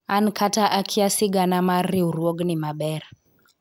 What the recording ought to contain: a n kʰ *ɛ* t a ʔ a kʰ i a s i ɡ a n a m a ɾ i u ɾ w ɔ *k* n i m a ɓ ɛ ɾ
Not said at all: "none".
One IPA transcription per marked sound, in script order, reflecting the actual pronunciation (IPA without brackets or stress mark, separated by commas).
a, ɡ